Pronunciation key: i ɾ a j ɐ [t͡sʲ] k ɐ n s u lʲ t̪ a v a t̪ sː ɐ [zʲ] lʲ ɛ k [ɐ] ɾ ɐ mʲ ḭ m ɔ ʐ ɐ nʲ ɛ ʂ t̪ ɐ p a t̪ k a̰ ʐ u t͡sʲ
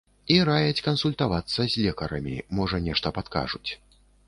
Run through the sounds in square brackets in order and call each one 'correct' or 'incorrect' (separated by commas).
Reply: correct, correct, correct